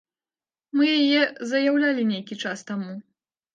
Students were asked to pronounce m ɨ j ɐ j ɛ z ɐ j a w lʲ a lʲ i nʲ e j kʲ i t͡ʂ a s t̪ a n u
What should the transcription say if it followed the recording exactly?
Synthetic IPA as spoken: m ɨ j a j ɛ z ɐ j a w lʲ a lʲ i nʲ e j kʲ i t͡ʂ a s t̪ a m u